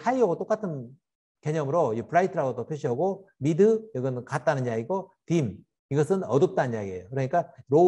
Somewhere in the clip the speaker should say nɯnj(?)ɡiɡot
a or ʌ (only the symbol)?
a